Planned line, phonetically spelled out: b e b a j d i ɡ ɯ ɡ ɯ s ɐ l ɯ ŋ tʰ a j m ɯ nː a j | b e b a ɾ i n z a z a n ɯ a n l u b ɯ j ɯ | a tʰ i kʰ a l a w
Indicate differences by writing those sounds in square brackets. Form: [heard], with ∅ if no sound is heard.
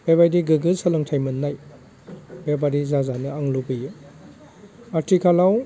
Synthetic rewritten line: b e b a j d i ɡ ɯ ɡ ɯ s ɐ l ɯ ŋ tʰ a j m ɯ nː a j | b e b a ɾ i [∅] z a z a n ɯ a [ŋ] l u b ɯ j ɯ | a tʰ i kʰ a l a w